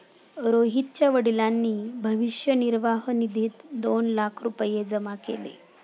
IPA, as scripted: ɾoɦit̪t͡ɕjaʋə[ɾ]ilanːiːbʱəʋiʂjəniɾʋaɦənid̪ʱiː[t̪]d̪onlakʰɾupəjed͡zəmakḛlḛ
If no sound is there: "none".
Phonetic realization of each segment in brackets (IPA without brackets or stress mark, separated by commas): ɽ, t̪